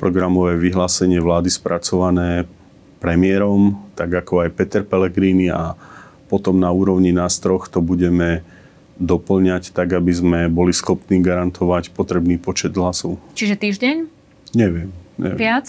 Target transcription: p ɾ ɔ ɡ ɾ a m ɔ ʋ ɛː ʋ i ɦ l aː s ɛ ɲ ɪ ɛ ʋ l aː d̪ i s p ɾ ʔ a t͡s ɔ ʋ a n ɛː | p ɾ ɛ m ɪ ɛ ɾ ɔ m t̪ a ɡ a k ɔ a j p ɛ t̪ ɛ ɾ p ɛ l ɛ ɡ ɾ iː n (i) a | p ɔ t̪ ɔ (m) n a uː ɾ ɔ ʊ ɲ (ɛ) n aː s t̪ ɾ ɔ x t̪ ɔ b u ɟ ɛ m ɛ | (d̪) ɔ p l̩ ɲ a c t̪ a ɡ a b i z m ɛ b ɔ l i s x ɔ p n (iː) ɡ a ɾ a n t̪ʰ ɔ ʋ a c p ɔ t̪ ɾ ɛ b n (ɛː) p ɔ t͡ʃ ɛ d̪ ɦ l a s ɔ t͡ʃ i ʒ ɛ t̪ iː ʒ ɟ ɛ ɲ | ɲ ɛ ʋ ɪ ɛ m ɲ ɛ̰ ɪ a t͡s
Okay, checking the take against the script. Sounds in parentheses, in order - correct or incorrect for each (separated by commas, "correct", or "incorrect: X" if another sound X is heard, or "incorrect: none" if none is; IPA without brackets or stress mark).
correct, correct, incorrect: i, correct, correct, incorrect: iː